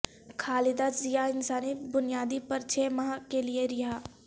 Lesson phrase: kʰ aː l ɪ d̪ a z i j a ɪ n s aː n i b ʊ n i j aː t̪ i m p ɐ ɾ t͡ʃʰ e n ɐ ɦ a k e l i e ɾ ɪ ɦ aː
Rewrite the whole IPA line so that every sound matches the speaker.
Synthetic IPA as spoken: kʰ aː l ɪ d̪ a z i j a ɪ n s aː n i b ʊ n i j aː d̪ i p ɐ ɾ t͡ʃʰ e m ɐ ɦ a k e l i e ɾ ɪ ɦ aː